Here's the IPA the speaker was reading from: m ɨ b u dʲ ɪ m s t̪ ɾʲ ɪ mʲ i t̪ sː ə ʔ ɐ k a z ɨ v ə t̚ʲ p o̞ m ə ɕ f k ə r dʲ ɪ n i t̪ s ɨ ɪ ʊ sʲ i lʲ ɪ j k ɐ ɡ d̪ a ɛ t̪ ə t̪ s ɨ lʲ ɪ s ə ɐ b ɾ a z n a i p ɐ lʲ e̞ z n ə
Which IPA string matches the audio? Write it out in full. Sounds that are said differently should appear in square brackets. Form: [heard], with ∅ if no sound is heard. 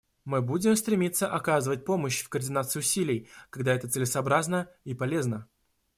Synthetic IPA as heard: m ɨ b u dʲ ɪ m s t̪ ɾʲ ɪ mʲ i t̪ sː ə ʔ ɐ k a z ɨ v ə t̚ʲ p o̞ m ə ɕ f k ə r dʲ ɪ n [a] t̪ s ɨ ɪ ʊ sʲ i lʲ ɪ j k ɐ ɡ d̪ a ɛ t̪ ə t̪ s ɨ lʲ ɪ s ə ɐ b ɾ a z n [ə] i p ɐ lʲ e̞ z n ə